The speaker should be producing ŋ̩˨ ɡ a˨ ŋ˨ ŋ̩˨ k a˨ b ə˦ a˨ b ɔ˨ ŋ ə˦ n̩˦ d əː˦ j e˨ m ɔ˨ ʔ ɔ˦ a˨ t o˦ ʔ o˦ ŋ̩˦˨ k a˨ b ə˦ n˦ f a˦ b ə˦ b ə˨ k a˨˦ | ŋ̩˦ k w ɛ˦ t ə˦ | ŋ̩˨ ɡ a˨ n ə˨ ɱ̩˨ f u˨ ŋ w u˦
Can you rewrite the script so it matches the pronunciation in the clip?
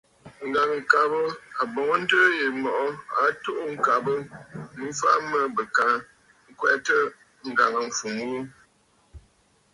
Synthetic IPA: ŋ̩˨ ɡ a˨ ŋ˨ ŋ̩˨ k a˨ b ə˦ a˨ b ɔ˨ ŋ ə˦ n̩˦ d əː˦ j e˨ m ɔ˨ ʔ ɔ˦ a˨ t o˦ ʔ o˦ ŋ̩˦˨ k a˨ b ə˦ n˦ f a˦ m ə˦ b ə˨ k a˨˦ | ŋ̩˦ k w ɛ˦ t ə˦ | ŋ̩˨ ɡ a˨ ŋ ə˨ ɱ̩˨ f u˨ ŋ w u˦

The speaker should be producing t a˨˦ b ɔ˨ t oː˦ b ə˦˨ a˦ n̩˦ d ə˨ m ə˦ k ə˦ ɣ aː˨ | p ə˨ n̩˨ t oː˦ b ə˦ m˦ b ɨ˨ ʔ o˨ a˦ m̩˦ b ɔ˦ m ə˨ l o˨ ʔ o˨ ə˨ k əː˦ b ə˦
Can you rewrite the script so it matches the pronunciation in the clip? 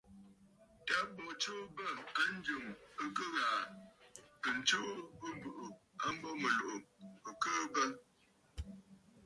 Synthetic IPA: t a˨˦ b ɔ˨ t͡ʃ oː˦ b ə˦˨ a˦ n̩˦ d͡ʒ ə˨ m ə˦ k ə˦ ɣ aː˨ | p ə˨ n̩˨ t͡ʃ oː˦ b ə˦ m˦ b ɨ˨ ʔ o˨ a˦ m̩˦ b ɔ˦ m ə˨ l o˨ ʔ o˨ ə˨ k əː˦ b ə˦

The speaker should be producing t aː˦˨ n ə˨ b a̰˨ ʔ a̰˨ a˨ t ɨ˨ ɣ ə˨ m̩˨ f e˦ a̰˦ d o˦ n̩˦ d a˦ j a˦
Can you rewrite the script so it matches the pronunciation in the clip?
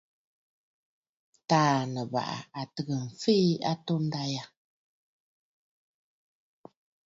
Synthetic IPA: t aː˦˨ n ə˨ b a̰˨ ʔ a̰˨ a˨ t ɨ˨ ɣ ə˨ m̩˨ f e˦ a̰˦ t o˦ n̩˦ d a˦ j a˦

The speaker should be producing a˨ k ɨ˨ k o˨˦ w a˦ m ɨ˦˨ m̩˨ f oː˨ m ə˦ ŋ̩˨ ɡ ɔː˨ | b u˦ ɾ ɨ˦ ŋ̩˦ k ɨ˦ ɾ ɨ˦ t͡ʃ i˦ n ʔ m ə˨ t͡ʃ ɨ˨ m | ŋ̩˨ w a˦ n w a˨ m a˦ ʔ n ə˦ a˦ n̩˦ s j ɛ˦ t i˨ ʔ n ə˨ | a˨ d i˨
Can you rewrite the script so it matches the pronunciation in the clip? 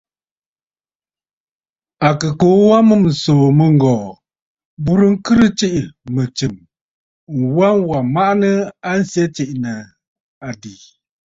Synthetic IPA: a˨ k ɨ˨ k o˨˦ w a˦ m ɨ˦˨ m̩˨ s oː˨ m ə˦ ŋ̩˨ ɡ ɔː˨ | b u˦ ɾ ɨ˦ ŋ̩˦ k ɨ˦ ɾ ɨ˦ t͡ʃ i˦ ʔ m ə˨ t͡ʃ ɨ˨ m | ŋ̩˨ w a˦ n w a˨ m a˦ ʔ n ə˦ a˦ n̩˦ s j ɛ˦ t͡ʃ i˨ ʔ n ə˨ | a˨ d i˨

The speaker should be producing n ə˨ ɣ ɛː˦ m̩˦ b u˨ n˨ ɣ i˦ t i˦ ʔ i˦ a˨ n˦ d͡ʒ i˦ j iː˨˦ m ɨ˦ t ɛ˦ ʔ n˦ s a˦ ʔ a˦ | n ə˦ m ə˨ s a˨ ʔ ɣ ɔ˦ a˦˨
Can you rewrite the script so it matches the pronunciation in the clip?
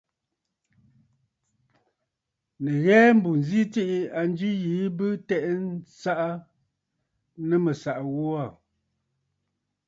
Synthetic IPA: n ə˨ ɣ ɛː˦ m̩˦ b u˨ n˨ z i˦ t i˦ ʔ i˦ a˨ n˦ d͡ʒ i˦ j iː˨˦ b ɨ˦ t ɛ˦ ʔ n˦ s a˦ ʔ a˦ | n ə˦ m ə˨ s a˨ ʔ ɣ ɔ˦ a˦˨

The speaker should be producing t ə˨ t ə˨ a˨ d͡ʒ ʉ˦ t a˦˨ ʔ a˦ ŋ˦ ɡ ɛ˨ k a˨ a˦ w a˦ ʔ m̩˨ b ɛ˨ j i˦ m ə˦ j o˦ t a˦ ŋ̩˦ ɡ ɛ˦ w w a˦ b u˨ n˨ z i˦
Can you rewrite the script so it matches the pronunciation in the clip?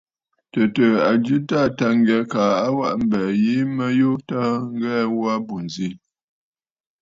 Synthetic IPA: t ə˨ t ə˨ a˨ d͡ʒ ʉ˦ t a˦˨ t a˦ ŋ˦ ɡ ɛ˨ k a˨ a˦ w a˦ ʔ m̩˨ b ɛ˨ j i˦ m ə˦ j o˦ t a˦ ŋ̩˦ ɡ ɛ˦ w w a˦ b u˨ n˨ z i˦

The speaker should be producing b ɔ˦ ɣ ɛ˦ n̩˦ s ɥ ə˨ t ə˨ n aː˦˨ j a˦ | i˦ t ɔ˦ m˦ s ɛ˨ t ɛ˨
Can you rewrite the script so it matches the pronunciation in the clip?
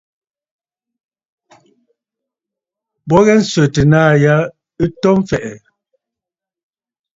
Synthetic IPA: b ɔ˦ ɣ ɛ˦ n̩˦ s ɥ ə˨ t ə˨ n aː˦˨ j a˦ | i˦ t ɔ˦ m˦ f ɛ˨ ʔ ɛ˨

